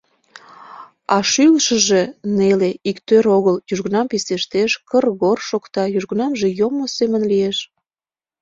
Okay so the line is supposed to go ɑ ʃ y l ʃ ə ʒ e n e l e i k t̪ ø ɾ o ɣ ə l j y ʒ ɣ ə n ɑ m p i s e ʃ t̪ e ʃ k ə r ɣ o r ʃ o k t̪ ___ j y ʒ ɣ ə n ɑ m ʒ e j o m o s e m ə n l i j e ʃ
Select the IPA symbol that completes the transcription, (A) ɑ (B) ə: A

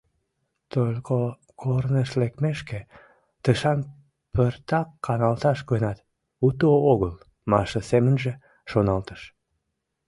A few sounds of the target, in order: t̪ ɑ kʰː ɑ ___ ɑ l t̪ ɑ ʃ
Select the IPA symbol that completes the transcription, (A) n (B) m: A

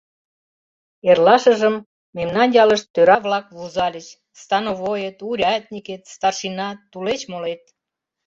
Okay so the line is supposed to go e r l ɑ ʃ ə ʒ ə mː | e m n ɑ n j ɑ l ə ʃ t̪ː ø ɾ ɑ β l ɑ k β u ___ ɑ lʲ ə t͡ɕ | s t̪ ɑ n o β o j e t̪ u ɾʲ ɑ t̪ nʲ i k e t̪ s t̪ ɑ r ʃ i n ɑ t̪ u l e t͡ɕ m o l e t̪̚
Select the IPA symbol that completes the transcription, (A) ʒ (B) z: B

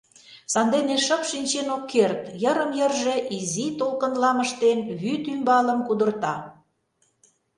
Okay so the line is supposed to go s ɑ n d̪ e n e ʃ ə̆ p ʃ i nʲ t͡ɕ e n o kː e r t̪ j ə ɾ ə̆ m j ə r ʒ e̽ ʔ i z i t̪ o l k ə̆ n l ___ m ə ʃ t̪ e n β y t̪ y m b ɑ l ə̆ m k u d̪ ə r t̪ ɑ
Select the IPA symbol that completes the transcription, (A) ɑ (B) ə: A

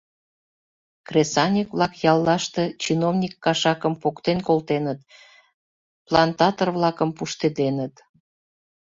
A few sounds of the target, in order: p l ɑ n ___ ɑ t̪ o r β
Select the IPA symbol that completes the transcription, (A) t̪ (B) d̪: A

